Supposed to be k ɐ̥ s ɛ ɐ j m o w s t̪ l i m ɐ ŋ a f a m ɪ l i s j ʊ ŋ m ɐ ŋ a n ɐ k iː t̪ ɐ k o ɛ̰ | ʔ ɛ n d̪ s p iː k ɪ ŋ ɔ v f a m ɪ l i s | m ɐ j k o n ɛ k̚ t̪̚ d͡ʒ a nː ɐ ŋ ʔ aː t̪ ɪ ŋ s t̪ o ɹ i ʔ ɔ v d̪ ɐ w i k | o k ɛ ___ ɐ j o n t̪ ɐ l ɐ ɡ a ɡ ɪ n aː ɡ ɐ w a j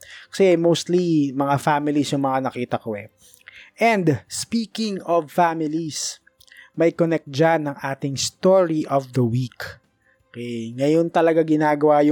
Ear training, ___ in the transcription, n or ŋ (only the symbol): ŋ